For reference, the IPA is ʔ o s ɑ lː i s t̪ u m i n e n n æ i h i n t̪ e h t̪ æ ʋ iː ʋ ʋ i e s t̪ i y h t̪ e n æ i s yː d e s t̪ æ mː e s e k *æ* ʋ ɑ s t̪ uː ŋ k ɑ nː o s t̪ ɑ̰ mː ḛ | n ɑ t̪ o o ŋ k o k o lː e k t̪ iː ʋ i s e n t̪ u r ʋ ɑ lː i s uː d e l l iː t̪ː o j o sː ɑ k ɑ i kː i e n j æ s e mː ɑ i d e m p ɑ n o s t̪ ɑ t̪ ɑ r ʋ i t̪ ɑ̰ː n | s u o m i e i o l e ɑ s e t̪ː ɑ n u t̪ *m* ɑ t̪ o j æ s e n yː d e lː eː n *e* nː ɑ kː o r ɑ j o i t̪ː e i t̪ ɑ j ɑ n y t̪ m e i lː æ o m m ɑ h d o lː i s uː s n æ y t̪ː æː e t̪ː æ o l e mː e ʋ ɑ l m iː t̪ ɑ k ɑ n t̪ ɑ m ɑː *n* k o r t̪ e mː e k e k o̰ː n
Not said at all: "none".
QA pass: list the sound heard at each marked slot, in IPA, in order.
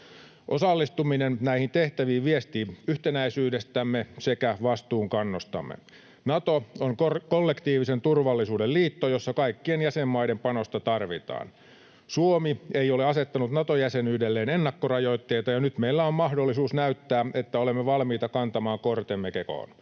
æ, n, e, ŋ

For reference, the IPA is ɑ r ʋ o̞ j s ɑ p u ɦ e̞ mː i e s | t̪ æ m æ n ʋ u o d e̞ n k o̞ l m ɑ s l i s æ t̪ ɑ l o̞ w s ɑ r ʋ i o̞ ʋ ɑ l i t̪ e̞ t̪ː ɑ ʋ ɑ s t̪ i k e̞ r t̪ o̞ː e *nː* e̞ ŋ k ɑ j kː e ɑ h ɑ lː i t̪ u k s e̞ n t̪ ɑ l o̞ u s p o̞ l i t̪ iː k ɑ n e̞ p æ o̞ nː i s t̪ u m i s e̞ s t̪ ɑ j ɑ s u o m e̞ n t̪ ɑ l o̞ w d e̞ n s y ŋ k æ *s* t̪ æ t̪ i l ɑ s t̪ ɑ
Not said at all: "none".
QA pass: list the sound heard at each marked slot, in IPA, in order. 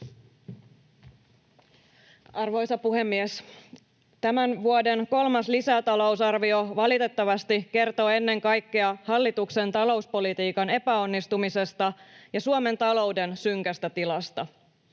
nː, s

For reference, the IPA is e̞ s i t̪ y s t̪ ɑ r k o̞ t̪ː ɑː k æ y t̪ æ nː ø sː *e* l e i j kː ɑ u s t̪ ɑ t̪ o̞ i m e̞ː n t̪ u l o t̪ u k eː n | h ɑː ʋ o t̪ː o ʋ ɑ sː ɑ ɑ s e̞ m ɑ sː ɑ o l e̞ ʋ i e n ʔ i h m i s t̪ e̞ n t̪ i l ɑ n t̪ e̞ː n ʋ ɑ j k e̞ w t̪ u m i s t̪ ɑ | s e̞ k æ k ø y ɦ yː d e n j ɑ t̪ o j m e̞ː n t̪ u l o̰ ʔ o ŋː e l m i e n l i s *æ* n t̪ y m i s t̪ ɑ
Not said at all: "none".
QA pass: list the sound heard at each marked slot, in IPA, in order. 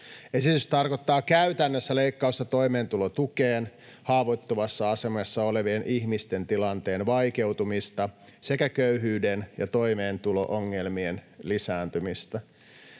æ, æː

